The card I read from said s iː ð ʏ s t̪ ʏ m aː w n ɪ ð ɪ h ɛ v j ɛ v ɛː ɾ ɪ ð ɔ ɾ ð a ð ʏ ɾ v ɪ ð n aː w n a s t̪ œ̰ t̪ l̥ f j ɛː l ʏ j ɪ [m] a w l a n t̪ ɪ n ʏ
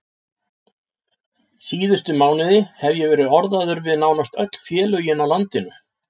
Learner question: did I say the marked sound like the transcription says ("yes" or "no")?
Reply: no